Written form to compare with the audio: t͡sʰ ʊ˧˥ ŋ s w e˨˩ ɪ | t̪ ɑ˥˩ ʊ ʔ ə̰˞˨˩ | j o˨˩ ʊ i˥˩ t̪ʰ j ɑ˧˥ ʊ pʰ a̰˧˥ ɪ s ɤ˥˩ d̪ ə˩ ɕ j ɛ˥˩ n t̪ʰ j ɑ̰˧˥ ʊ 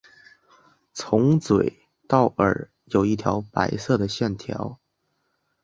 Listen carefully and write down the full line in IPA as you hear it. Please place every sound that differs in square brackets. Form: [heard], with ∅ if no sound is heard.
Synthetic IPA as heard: t͡sʰ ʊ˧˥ ŋ [t͡s] w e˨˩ ɪ | t̪ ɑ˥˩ ʊ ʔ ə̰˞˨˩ | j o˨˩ ʊ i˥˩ t̪ʰ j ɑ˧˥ ʊ [p] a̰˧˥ ɪ s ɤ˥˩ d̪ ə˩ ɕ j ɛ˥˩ n t̪ʰ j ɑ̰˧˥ ʊ